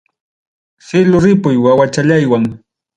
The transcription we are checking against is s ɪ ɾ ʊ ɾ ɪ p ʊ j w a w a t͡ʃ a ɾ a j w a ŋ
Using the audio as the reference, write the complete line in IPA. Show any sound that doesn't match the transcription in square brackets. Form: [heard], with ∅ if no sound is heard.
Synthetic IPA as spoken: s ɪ [l] ʊ ɾ ɪ p ʊ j w a w a t͡ʃ a [ʎ] a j w a ŋ